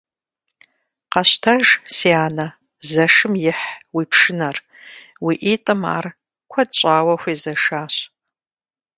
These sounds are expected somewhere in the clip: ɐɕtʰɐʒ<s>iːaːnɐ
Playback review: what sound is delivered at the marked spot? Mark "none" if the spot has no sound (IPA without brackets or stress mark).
s